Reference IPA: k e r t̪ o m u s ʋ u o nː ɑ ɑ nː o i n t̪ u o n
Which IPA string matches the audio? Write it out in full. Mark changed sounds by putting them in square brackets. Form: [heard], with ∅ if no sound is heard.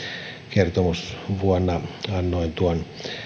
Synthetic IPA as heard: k e r t̪ o m u s ʋ u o nː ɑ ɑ nː o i n t̪ u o n